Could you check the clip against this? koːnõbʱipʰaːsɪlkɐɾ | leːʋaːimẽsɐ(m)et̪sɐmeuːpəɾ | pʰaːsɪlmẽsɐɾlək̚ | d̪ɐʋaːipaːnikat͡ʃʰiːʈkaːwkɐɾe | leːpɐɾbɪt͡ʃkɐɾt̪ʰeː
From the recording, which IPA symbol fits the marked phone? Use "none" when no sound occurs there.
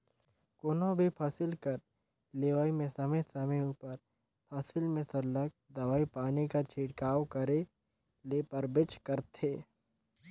m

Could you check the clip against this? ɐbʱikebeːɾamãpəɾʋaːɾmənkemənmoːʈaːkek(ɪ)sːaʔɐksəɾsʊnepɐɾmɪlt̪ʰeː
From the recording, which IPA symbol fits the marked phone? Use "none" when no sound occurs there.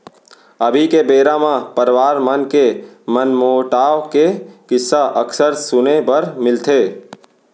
ɪ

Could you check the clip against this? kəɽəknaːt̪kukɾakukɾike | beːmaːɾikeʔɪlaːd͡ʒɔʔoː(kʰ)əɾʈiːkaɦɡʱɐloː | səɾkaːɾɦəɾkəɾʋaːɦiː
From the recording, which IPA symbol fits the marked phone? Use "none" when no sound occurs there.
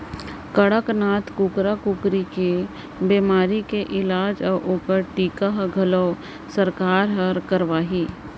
k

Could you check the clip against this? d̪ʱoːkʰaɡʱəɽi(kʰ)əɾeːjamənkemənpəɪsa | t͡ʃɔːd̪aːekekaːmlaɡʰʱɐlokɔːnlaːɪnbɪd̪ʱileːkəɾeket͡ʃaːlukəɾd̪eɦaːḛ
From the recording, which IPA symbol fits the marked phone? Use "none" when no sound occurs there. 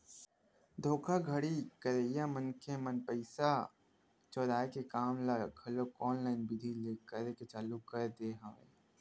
k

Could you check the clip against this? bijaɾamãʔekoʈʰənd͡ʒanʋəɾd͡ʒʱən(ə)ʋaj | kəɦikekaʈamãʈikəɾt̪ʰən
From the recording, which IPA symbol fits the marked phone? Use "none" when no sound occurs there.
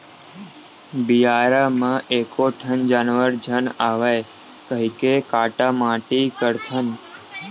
a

